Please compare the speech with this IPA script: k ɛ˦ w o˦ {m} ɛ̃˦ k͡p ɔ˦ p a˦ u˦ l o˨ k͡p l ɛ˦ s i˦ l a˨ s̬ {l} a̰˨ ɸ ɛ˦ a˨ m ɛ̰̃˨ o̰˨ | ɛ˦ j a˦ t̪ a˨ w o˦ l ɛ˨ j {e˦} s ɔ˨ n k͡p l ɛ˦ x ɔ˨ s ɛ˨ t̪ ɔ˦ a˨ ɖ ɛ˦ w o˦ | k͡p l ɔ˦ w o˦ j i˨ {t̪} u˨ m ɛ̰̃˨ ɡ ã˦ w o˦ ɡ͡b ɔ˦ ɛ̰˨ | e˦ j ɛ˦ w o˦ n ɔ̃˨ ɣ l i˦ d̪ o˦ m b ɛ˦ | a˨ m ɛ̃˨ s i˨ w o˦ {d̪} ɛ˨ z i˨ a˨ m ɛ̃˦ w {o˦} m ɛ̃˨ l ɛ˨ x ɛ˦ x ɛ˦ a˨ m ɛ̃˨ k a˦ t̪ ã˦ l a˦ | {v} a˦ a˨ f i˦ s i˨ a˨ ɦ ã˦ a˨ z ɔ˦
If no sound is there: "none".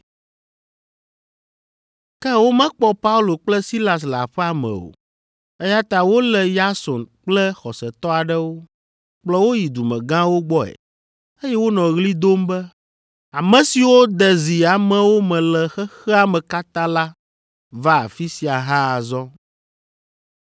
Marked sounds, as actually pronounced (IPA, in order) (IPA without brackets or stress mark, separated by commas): m, l, a˦, d̪, d̪, o˦, v